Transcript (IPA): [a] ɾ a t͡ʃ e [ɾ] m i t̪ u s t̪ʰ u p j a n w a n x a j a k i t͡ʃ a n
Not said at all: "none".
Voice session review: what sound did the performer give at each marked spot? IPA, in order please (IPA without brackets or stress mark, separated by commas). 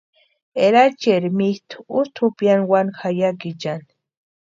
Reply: e, ɾ